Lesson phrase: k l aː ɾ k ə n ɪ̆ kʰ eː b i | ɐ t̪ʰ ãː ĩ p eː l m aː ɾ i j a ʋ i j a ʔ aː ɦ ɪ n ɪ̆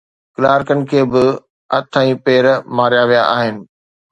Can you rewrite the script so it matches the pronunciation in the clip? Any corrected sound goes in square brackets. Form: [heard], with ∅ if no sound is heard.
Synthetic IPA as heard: k l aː ɾ k ə n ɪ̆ kʰ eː b [ɪ] | ɐ t̪ʰ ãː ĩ p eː [ɾ] m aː ɾ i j a ʋ i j a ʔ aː ɦ ɪ n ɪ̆